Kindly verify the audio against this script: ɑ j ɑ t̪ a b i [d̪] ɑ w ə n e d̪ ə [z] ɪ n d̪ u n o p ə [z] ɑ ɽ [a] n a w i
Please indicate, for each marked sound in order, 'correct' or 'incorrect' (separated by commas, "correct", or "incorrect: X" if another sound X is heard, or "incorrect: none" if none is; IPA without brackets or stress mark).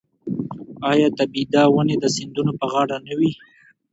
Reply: correct, incorrect: s, incorrect: ɣ, correct